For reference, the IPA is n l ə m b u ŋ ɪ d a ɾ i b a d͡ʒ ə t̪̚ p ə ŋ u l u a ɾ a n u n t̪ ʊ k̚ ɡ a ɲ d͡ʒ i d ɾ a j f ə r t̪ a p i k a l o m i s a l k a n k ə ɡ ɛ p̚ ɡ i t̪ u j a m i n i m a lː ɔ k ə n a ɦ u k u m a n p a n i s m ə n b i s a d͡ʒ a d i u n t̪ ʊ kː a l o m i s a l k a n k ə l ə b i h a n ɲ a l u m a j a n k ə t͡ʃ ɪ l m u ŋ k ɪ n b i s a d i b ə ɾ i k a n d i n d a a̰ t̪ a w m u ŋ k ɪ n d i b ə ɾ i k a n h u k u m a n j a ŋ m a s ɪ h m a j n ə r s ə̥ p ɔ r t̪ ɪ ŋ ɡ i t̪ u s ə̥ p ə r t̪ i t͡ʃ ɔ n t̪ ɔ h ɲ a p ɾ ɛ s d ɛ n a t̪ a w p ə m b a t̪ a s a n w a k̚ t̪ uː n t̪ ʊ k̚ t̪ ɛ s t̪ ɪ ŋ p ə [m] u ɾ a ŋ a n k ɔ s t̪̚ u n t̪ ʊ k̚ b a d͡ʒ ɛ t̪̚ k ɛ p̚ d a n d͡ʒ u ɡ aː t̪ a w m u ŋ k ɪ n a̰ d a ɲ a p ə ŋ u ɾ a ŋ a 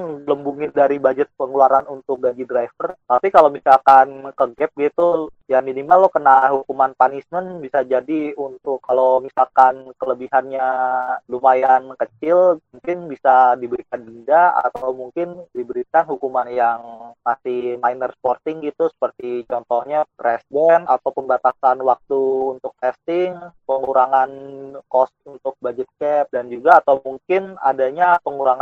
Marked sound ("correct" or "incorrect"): incorrect